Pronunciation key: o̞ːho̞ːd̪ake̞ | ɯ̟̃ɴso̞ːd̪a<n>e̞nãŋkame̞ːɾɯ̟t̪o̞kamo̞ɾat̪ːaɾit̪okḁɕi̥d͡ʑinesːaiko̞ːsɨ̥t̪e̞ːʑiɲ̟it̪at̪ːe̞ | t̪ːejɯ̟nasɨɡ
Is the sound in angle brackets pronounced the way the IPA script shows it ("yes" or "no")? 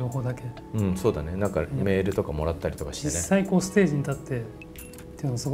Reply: yes